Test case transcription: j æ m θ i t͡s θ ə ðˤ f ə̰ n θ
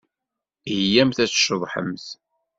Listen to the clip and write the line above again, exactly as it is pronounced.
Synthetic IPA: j æ m θ æ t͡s ʃ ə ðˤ ħ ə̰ m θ